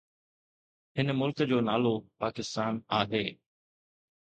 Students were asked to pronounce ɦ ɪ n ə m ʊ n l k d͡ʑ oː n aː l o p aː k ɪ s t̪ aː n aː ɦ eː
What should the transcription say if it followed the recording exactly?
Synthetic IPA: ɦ ɪ n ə m ʊ l k d͡ʑ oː n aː l o p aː k ɪ s t̪ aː n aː ɦ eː

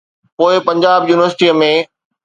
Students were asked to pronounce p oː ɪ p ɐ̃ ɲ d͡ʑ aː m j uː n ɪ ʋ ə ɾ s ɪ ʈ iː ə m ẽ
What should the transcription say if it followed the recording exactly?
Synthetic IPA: p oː ɪ p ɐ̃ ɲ d͡ʑ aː b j uː n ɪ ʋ ə ɾ s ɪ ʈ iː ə m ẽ

